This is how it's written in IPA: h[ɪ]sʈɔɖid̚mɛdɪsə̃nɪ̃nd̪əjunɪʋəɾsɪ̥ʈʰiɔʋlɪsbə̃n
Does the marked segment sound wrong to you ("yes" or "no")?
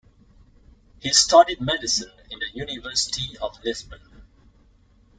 yes